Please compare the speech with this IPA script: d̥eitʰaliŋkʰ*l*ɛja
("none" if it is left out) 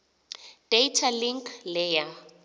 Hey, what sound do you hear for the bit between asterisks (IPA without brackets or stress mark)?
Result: l